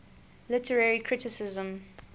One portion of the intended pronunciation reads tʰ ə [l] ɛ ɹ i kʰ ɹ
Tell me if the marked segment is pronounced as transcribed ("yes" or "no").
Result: no